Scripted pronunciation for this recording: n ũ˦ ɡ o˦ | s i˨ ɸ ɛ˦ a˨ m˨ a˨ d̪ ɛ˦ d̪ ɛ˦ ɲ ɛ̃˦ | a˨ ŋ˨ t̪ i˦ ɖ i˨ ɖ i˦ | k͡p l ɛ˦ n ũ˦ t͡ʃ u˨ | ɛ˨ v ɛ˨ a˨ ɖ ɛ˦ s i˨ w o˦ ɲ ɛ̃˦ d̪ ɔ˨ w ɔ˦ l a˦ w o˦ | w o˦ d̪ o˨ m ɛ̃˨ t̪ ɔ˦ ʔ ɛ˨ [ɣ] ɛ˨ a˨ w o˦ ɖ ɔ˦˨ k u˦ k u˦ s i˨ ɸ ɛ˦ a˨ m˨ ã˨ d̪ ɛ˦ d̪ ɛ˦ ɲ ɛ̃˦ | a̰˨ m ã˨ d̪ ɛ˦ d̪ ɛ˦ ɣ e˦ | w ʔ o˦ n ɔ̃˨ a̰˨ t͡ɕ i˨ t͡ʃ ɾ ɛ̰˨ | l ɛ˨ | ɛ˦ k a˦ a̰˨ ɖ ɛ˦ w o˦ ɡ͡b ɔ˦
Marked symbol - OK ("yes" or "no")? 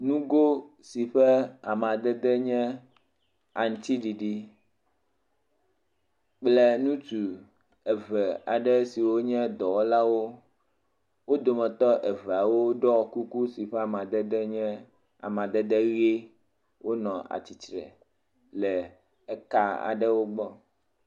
no